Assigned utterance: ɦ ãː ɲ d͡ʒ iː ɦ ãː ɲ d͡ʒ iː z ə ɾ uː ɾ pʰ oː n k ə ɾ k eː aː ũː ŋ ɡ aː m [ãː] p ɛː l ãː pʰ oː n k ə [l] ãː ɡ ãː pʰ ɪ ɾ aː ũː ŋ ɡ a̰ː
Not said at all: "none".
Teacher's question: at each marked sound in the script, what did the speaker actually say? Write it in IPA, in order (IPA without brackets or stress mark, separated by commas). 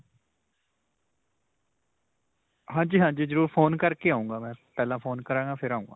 ɛ̃ː, ɾ